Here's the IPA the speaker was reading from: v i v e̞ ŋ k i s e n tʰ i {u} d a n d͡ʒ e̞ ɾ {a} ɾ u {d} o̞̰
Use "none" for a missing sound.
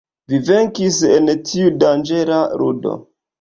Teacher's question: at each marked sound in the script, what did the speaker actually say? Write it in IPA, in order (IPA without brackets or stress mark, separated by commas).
u, a, d